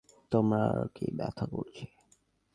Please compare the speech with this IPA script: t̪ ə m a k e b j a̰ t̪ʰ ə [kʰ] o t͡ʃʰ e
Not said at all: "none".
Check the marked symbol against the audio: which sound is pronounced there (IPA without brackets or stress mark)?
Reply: k